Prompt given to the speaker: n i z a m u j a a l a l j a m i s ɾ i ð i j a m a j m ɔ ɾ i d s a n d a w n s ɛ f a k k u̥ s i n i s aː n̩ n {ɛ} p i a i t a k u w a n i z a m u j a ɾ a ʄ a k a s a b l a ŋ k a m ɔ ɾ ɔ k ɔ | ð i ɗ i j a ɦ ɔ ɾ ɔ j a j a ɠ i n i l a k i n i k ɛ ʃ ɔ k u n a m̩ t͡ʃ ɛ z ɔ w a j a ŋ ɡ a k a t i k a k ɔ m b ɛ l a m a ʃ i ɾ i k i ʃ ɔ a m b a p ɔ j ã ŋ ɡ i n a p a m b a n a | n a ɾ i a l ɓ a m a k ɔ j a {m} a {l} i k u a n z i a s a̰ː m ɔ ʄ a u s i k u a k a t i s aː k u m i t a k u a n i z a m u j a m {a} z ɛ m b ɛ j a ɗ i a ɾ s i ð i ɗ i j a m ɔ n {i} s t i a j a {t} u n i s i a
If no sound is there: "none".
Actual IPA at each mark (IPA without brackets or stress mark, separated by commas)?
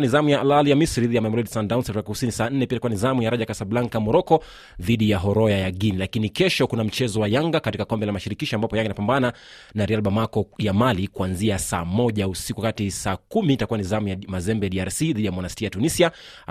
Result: ɛ, m, l, a, a, t